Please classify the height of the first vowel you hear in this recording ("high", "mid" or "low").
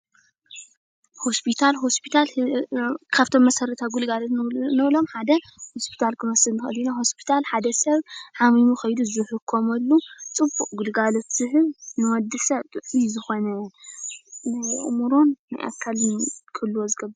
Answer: mid